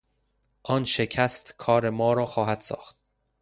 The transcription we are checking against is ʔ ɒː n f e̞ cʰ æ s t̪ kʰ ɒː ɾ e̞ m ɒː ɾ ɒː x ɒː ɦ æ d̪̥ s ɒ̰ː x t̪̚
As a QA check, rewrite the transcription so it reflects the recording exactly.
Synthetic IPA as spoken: ʔ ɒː n ʃ e̞ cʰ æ s t̪ kʰ ɒː ɾ e̞ m ɒː ɾ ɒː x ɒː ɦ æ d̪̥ s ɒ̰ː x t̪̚